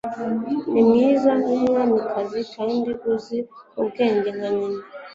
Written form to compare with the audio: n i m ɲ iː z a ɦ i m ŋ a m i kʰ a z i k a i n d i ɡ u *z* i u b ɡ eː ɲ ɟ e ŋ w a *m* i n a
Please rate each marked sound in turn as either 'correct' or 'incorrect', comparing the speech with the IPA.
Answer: correct, incorrect

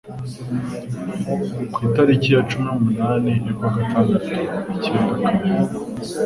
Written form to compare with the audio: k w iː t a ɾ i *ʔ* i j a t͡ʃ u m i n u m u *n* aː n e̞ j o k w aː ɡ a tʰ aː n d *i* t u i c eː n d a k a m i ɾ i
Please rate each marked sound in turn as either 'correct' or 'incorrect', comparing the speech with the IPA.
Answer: incorrect, correct, incorrect

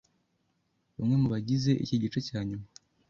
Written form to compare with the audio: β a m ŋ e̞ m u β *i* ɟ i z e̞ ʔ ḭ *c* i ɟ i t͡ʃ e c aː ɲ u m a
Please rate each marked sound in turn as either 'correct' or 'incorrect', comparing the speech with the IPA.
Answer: incorrect, correct

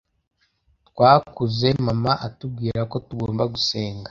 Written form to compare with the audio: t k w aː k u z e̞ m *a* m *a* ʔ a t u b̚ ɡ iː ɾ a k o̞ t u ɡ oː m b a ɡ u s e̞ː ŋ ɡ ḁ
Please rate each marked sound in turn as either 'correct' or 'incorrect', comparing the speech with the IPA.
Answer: correct, correct

